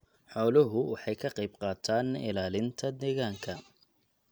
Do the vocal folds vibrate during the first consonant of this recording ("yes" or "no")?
no